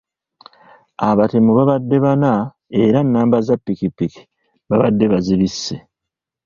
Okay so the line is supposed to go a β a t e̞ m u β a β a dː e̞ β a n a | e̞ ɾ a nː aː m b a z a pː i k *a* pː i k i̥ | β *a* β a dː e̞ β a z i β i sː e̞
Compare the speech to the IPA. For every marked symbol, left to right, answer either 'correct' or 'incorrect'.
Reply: incorrect, correct

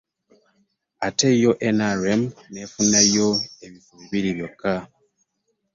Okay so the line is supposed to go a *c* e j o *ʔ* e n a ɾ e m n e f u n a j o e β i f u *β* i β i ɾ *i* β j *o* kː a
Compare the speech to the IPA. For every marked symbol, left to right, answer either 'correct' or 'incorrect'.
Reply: incorrect, correct, correct, correct, correct

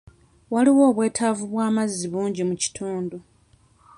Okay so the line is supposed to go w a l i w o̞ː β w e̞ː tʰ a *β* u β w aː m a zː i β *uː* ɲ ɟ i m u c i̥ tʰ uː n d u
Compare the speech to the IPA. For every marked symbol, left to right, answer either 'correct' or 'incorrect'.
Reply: incorrect, correct

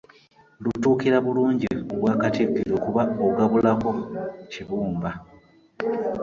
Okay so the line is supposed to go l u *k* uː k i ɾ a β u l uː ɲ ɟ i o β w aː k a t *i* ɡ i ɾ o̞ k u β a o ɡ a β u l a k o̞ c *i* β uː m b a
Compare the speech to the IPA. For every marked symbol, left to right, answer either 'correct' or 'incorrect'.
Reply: incorrect, correct, correct

